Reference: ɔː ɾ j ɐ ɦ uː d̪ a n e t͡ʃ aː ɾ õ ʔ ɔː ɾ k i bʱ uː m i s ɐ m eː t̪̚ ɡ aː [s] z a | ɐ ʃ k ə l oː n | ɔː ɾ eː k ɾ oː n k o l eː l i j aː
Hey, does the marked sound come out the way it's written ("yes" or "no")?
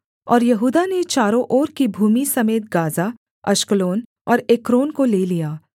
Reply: no